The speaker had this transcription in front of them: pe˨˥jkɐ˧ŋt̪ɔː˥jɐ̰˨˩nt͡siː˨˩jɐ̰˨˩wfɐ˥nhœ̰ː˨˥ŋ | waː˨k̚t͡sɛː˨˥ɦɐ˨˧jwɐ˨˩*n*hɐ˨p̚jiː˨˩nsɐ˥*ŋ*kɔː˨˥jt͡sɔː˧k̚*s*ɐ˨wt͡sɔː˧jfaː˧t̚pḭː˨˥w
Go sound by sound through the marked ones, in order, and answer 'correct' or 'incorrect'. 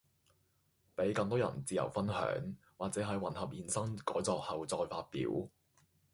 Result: correct, correct, incorrect: h

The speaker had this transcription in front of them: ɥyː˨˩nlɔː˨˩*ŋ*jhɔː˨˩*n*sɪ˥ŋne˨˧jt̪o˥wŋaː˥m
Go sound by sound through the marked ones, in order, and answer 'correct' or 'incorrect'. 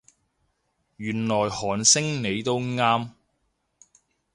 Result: incorrect: none, correct

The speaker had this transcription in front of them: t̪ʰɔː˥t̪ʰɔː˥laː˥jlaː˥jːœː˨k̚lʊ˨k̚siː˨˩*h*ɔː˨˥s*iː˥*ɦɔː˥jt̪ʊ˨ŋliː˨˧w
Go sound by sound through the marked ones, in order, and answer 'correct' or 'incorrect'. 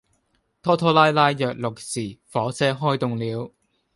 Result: incorrect: f, incorrect: ɛː˥

